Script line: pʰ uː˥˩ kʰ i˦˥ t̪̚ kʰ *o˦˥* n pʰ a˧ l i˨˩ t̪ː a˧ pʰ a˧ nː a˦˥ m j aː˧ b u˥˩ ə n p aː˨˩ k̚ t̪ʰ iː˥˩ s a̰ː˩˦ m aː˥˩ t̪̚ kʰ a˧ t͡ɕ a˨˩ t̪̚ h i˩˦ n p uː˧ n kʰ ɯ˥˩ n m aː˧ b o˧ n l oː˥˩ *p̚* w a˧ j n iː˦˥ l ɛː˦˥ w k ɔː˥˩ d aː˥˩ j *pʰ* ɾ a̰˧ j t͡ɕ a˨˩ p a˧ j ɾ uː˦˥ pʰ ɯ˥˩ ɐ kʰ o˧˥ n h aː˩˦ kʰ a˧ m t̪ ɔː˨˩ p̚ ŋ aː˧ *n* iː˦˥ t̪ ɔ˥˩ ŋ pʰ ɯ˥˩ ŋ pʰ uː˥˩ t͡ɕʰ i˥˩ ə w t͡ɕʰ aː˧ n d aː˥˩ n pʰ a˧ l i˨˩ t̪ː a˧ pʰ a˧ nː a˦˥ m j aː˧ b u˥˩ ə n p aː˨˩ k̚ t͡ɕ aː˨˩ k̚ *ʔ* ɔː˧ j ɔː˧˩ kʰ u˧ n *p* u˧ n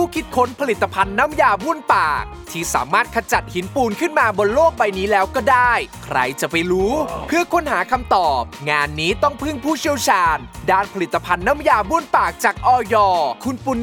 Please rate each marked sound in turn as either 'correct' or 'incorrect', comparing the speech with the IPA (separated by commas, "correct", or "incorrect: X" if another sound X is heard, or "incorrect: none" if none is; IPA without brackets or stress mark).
correct, incorrect: k̚, incorrect: kʰ, incorrect: nː, correct, correct